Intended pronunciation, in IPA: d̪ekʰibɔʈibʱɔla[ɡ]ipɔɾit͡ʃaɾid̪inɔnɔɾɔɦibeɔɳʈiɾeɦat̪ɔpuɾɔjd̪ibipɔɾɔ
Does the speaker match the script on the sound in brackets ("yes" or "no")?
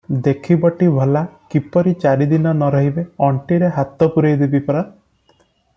no